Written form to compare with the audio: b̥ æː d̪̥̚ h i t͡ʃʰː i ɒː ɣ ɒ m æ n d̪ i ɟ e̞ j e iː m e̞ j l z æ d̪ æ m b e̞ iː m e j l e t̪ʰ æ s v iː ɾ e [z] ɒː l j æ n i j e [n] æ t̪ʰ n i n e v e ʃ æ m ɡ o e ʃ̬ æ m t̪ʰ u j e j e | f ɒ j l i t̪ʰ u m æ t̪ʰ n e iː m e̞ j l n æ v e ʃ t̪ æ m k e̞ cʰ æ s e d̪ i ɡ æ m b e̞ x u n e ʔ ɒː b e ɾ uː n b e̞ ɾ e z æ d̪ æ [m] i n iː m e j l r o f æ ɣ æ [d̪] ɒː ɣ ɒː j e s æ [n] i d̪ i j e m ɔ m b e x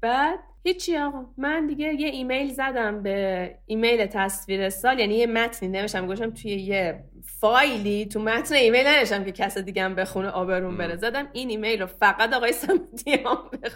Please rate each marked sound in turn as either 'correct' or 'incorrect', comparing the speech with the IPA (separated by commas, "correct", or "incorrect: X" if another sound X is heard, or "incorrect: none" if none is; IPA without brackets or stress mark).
incorrect: s, incorrect: m, correct, incorrect: t̪, incorrect: m